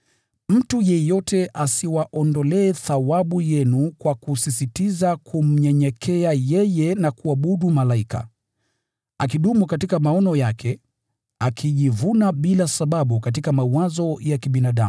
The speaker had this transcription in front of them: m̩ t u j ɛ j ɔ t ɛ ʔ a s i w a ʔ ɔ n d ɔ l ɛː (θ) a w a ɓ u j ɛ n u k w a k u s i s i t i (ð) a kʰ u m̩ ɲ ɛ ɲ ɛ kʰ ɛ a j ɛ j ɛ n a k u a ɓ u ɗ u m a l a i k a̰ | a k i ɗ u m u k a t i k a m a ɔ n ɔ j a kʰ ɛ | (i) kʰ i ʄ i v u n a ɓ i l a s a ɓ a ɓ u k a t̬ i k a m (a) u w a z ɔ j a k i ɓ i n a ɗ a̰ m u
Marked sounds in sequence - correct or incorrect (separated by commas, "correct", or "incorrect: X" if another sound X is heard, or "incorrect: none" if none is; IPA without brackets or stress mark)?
correct, incorrect: z, incorrect: a, correct